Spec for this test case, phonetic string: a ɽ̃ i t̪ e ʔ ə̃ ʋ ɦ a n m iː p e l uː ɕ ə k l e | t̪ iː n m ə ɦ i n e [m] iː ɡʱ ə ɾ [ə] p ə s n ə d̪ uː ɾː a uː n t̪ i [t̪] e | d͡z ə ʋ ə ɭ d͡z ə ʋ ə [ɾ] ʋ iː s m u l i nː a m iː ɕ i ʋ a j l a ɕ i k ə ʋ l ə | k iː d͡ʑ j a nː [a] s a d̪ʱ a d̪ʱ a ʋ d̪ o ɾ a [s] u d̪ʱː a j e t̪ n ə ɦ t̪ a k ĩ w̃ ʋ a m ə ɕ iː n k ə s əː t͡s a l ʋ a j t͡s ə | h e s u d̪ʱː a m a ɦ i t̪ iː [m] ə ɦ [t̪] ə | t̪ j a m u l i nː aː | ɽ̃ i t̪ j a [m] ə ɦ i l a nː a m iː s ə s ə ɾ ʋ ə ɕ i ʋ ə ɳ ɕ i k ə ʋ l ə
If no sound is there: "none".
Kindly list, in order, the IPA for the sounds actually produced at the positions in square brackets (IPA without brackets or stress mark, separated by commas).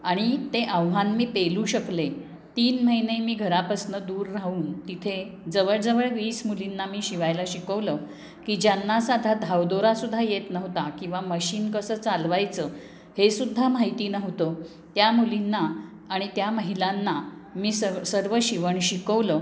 m, a, t̪ʰ, ɭ, a, s, n, t̪, m